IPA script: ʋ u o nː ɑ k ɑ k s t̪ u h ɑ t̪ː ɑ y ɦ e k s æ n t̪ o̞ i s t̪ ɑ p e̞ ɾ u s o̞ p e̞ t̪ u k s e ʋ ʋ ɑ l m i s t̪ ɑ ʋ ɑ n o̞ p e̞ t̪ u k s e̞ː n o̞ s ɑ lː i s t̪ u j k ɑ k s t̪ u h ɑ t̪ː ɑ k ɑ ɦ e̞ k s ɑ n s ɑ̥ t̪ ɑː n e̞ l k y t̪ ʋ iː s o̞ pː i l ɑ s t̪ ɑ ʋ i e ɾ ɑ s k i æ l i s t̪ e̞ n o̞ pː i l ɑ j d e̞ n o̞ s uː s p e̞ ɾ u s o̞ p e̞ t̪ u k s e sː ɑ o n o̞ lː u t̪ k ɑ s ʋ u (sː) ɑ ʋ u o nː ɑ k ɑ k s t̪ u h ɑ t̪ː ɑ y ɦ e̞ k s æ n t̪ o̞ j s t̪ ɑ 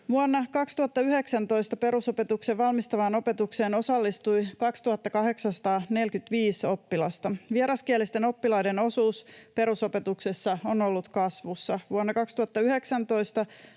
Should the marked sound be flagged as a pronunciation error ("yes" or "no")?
no